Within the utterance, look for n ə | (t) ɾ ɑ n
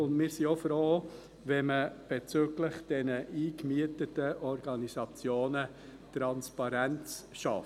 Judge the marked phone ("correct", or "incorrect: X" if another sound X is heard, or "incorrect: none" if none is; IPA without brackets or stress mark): correct